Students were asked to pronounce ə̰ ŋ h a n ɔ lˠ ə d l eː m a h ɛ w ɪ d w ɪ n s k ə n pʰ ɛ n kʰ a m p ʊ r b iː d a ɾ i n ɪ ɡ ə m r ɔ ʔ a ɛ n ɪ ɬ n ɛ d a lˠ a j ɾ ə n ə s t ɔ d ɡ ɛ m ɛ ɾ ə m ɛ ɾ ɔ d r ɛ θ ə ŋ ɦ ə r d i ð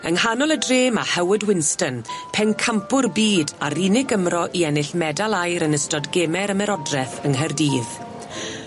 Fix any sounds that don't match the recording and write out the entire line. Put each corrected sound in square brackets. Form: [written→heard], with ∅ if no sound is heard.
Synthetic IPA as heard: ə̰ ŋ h a n ɔ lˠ ə d [l→r] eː m a h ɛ w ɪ d w ɪ n s [k→t] ə n pʰ ɛ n kʰ a m p ʊ r b iː d a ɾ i n ɪ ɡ ə m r ɔ ʔ [a→i] ɛ n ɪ ɬ [n→m] ɛ d a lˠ a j ɾ ə n ə s t ɔ d ɡ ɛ m ɛ ɾ ə m ɛ ɾ ɔ d r ɛ θ ə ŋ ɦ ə r d [i→iː] ð